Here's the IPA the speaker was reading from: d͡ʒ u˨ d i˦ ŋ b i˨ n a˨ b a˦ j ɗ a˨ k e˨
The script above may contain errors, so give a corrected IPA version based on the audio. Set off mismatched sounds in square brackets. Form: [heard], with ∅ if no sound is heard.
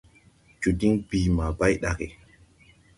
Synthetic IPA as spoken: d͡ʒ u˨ d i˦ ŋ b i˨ [m] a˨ b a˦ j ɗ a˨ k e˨